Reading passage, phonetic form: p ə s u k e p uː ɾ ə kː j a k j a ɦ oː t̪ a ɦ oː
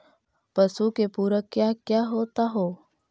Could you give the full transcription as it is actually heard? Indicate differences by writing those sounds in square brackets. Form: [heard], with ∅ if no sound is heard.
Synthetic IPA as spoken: p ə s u k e p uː ɾ ə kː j a k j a ɦ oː t̪ a ɦ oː